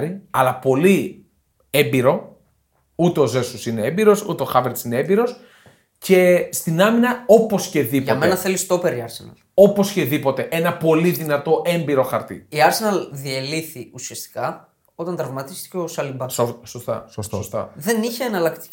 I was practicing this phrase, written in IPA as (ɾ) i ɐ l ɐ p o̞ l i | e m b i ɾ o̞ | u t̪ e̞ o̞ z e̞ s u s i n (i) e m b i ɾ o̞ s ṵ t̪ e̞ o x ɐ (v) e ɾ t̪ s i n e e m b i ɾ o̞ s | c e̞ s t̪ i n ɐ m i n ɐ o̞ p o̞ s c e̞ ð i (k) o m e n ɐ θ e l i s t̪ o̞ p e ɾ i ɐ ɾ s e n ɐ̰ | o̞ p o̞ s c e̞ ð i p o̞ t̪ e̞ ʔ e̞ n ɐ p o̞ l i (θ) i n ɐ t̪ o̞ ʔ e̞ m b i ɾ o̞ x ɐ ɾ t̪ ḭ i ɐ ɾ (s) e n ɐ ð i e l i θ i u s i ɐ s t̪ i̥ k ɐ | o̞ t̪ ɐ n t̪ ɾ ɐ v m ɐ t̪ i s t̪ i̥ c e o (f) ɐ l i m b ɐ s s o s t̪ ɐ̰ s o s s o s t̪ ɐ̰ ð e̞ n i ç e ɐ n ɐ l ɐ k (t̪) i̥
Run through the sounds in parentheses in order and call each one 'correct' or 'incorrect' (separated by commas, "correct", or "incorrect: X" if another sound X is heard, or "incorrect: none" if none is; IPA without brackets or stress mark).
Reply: correct, incorrect: e, correct, incorrect: p, incorrect: ð, correct, incorrect: s, correct